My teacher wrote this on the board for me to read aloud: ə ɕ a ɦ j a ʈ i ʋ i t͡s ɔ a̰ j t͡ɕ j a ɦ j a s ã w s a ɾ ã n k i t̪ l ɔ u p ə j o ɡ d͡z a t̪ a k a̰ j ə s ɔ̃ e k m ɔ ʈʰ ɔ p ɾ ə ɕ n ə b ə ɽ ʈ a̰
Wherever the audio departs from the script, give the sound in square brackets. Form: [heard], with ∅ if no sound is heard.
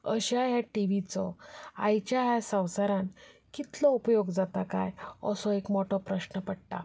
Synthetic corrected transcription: ə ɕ a ɦ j a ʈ i ʋ i t͡s ɔ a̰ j t͡ɕ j a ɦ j a s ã w s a ɾ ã n k i t̪ l ɔ u p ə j o ɡ d͡z a t̪ a k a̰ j ə s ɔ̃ e k m ɔ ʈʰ ɔ p ɾ ə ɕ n ə [p] ə ɽ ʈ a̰